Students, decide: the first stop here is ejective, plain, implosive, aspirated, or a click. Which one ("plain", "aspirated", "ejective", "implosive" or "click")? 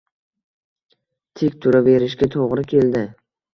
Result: aspirated